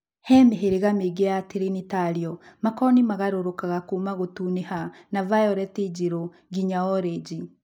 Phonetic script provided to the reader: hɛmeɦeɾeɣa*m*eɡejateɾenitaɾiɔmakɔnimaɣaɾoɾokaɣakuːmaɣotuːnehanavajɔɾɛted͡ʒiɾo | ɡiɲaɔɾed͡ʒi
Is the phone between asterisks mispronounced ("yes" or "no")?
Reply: no